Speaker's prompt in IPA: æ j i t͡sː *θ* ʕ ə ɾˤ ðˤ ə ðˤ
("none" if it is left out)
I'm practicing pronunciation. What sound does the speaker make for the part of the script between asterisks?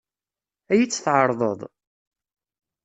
θ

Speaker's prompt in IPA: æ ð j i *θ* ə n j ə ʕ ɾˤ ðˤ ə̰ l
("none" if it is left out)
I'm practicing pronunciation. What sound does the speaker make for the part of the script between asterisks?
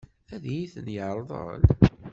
θ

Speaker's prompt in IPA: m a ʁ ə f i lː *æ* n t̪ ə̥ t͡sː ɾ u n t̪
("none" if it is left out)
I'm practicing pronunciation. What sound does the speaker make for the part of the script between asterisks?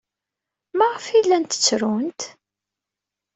æ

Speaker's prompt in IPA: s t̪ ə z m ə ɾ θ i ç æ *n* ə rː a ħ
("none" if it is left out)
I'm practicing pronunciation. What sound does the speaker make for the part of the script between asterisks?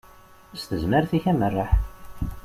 m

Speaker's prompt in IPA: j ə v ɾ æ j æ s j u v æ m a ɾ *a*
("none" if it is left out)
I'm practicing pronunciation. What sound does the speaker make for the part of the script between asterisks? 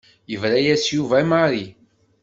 i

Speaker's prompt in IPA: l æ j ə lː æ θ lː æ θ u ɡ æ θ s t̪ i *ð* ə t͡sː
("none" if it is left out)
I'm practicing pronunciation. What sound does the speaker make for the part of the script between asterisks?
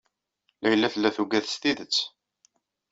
ð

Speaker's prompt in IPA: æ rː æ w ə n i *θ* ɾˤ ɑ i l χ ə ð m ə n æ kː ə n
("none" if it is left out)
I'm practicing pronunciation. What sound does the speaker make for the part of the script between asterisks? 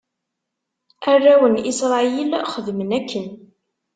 s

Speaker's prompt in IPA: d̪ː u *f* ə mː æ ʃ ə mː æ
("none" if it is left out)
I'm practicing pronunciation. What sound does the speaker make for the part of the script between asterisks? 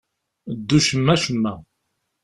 ʃ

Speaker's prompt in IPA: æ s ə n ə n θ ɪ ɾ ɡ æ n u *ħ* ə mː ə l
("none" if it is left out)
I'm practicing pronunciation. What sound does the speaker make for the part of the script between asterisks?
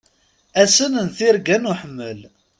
ħ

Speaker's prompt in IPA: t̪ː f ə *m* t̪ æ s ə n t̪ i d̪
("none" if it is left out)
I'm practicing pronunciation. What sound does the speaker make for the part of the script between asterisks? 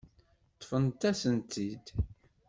n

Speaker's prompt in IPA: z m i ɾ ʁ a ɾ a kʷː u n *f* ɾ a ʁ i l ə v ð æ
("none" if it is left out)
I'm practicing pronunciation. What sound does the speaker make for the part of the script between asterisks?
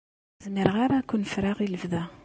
f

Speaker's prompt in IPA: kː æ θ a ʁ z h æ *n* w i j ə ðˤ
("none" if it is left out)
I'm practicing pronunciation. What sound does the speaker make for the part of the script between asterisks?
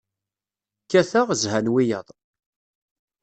n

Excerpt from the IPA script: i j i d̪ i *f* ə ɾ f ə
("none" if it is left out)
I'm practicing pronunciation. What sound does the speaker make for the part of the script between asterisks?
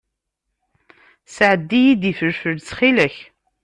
f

